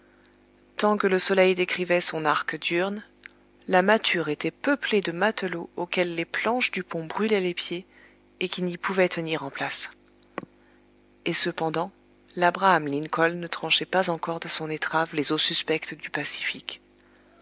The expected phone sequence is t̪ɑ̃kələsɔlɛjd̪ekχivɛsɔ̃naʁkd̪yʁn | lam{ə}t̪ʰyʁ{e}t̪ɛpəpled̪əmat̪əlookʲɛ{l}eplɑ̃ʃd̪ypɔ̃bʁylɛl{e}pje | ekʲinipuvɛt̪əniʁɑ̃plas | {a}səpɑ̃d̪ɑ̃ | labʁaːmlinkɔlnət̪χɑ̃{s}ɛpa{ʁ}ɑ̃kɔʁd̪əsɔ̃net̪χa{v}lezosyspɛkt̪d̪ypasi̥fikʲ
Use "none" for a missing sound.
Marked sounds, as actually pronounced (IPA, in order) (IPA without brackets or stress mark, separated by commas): a, e, lː, e, e, ʃ, z, v